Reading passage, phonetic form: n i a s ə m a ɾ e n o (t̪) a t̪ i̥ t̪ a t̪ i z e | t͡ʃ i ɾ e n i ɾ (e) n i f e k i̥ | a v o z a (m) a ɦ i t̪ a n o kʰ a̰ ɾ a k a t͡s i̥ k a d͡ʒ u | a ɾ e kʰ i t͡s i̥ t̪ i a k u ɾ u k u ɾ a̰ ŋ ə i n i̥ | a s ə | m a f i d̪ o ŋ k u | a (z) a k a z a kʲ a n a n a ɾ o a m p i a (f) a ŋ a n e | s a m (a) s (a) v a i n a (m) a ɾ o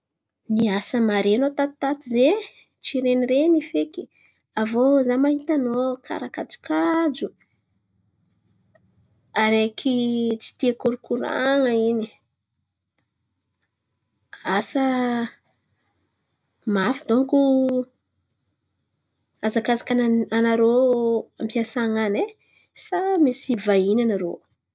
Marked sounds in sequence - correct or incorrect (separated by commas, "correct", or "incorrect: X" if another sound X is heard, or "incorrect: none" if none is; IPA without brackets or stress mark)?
correct, correct, correct, correct, incorrect: s, incorrect: i, incorrect: i, incorrect: n